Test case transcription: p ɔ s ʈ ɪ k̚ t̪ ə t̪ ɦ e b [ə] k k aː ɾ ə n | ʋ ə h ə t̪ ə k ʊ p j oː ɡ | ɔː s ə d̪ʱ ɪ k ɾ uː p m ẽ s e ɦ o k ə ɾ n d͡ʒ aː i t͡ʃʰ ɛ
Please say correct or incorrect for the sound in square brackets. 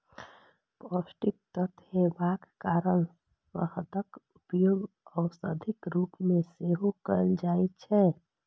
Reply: incorrect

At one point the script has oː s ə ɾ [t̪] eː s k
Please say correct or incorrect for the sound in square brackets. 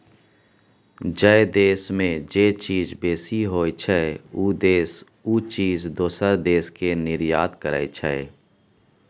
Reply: incorrect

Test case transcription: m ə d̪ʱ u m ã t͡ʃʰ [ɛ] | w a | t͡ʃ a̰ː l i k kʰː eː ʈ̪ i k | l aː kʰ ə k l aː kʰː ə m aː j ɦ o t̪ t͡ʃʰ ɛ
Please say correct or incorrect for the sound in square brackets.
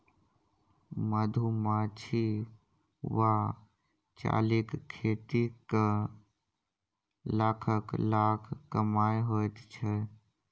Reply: incorrect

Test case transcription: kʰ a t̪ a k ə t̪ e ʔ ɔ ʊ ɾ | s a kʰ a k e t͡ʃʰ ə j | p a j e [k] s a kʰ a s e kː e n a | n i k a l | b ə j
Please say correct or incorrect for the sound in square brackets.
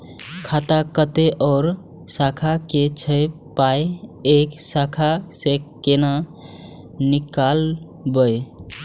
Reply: correct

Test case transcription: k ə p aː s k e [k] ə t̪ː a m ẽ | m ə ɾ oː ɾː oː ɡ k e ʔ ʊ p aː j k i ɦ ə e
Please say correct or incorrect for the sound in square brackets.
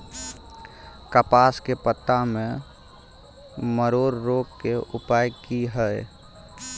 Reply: incorrect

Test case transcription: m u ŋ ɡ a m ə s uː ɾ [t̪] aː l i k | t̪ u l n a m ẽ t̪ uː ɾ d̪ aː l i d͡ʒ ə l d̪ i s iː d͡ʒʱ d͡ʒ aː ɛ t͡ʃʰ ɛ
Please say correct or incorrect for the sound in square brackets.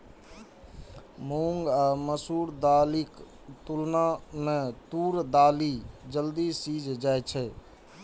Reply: incorrect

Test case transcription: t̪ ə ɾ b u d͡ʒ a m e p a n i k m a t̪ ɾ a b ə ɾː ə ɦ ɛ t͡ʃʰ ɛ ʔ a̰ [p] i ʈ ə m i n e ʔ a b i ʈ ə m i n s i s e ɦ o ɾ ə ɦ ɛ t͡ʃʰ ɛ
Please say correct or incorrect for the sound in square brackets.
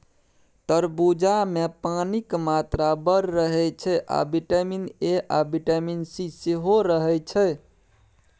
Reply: incorrect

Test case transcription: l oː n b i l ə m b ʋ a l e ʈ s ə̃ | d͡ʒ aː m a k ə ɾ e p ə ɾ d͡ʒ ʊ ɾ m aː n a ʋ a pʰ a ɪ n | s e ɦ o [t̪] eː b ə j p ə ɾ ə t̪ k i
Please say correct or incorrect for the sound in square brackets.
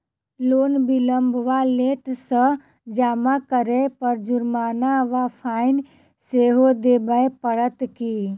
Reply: incorrect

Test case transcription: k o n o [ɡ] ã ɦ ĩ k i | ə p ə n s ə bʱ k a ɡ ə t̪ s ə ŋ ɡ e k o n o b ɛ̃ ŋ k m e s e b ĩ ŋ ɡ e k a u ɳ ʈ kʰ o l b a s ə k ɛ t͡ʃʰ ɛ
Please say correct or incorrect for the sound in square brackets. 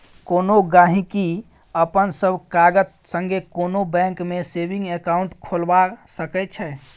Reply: correct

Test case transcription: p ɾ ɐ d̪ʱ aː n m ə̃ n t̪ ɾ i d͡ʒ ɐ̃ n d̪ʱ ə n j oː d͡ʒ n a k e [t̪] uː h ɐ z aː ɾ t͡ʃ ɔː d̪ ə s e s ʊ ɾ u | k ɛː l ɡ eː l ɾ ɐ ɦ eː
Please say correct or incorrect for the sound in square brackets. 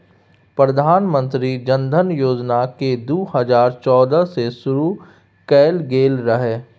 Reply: incorrect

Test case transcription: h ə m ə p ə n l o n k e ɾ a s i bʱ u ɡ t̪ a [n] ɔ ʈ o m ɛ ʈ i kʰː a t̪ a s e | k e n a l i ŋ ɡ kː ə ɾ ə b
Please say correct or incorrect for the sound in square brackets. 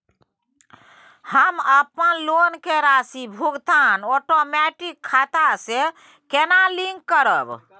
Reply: correct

